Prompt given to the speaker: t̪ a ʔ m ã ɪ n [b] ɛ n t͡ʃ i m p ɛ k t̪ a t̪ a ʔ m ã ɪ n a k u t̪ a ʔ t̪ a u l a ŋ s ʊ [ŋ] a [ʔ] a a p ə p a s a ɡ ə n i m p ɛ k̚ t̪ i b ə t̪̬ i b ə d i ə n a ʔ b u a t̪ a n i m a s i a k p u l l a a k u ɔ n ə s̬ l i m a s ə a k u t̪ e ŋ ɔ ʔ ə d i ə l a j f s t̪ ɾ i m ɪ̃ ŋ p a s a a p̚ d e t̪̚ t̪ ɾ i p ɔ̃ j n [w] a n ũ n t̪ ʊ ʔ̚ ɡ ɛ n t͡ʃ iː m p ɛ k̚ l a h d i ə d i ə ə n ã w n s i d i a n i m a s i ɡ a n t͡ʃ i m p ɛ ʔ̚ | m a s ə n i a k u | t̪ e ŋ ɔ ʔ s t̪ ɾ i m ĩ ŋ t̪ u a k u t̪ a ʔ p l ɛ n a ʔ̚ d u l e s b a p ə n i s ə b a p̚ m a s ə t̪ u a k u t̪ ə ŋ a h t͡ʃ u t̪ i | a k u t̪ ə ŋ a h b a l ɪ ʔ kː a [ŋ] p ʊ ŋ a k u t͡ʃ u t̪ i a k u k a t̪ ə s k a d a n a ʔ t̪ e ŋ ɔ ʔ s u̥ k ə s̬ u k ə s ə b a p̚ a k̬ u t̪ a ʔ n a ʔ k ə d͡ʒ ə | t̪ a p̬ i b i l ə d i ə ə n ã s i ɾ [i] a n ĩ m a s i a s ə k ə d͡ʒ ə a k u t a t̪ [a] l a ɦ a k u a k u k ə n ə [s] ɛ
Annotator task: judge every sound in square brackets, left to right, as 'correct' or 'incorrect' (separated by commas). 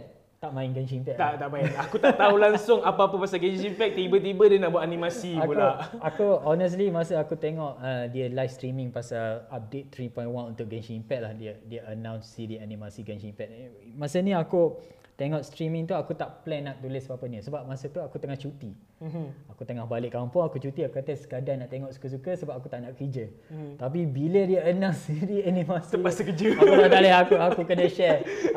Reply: incorrect, correct, incorrect, correct, incorrect, correct, correct, incorrect